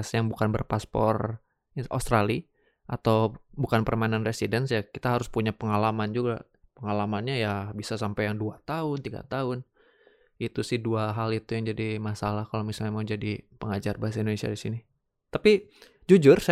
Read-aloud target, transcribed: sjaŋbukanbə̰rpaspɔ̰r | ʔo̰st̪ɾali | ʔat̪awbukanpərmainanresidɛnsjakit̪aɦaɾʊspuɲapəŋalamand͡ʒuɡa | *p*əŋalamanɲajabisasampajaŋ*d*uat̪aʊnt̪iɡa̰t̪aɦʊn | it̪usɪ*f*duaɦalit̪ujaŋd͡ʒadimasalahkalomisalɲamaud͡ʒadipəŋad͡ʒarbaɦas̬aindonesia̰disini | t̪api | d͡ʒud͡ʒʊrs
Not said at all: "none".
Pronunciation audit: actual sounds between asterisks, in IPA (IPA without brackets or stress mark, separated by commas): p, d, h